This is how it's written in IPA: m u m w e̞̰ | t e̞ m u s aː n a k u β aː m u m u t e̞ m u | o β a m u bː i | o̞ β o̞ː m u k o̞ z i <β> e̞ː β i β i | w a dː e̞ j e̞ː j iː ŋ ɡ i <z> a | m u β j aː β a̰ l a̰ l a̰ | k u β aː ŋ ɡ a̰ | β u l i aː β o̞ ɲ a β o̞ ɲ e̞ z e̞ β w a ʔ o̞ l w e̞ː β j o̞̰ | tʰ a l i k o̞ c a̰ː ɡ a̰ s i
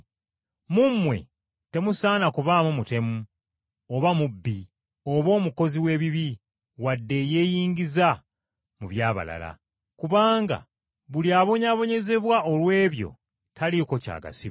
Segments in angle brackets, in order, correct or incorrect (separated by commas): incorrect, correct